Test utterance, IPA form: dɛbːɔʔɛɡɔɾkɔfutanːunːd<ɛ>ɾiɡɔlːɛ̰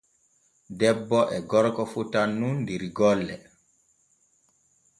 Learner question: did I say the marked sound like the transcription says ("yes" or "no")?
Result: no